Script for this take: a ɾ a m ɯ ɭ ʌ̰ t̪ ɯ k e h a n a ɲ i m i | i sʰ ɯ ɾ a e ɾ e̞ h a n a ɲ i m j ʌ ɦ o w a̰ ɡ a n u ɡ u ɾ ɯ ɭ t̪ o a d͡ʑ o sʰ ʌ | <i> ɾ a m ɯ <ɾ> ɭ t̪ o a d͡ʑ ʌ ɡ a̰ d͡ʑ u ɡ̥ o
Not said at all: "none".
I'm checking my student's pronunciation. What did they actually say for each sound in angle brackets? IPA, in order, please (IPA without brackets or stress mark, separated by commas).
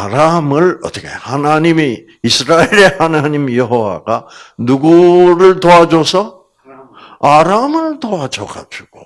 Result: a, none